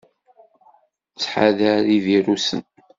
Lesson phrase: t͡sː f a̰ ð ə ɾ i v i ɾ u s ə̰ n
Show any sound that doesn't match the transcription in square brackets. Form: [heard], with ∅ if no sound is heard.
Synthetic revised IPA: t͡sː [ħ] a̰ ð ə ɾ i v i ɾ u s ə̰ n